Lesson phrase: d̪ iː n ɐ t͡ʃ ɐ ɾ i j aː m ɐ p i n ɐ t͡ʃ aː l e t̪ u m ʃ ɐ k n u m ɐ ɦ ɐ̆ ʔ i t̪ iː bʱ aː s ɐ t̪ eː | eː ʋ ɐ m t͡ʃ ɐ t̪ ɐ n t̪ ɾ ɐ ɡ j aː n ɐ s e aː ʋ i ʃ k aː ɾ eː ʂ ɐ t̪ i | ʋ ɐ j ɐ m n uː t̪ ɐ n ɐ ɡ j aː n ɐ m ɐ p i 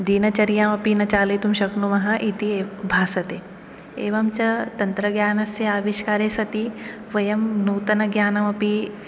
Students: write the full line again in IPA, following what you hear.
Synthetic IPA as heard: d̪ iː n ɐ t͡ʃ ɐ ɾ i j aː m ɐ p i n ɐ t͡ʃ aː l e t̪ u m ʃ ɐ k n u m ɐ ɦ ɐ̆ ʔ i t̪ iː bʱ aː s ɐ t̪ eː | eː ʋ ɐ m t͡ʃ ɐ t̪ ɐ n t̪ ɾ ɐ ɡ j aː n ɐ s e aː ʋ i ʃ k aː ɾ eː s ɐ t̪ i | ʋ ɐ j ɐ m n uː t̪ ɐ n ɐ ɡ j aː n ɐ m ɐ p i